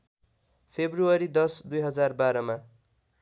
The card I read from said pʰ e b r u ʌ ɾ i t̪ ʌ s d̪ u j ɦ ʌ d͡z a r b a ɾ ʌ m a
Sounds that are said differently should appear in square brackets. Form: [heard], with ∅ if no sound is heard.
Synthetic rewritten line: pʰ e b r u ʌ ɾ i [d̪] ʌ s d̪ u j ɦ ʌ d͡z a r b a ɾ ʌ m a